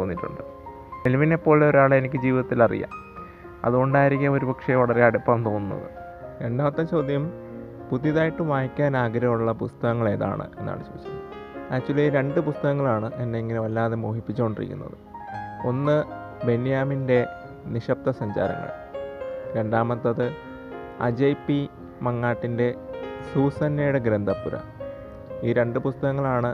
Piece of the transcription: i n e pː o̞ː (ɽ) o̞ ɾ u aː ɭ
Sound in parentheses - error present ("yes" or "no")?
yes